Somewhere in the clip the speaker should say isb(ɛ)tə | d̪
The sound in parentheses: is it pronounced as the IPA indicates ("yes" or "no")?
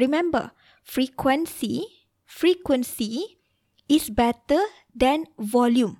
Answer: yes